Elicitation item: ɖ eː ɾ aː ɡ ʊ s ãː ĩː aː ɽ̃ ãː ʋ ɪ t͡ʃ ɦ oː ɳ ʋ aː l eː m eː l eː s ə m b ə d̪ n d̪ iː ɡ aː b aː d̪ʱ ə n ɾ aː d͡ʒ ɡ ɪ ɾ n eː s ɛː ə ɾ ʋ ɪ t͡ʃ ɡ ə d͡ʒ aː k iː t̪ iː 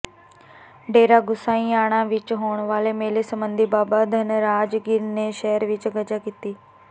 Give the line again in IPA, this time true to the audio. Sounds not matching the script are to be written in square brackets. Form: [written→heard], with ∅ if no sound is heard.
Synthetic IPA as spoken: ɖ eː ɾ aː ɡ ʊ s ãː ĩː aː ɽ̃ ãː ʋ ɪ t͡ʃ ɦ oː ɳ ʋ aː l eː m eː l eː s ə m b ə [d̪→∅] n d̪ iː [ɡ→b] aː b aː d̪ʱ ə n ɾ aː d͡ʒ ɡ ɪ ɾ n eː [s→ʃ] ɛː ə ɾ ʋ ɪ t͡ʃ ɡ ə d͡ʒ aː k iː t̪ iː